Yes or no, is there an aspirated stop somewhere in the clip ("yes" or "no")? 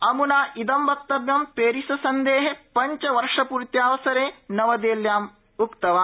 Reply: no